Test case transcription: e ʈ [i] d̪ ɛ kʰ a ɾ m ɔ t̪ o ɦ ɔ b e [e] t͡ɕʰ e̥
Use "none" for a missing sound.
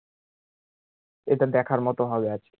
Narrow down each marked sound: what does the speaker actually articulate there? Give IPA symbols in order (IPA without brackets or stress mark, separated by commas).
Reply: a, a